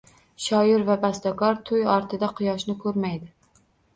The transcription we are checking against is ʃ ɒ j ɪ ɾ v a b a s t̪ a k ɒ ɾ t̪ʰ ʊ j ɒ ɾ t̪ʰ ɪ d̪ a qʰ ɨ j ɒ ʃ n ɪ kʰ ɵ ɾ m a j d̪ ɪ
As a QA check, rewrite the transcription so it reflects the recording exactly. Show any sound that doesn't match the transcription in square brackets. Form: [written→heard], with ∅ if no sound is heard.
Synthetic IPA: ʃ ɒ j ɪ ɾ v a b a s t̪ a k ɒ ɾ t̪ʰ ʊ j ɒ ɾ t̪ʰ ɪ d̪ a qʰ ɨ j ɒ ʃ n ɪ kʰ ɵ ɾ m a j d̪ ɪ